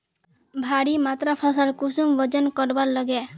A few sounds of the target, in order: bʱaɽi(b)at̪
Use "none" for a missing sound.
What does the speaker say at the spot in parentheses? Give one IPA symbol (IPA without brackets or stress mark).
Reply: m